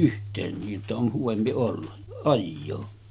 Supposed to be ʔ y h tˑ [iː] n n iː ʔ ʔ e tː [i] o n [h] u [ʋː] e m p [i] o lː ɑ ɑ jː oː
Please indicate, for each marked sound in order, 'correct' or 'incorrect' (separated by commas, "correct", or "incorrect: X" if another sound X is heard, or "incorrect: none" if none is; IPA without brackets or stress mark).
incorrect: eː, incorrect: æ, correct, incorrect: ʋ, correct